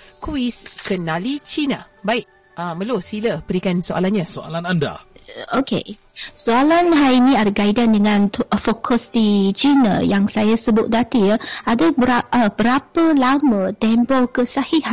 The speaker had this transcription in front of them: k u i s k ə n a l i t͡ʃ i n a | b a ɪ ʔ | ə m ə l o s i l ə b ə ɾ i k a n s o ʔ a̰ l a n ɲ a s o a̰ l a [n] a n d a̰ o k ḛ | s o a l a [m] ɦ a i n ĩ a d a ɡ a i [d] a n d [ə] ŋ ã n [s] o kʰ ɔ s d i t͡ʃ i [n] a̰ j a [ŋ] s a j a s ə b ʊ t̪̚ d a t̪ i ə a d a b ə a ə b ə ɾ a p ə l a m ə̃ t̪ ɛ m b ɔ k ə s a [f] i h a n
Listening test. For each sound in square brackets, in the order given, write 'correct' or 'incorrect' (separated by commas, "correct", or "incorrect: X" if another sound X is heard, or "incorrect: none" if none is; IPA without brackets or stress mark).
correct, incorrect: n, correct, correct, incorrect: f, correct, correct, incorrect: h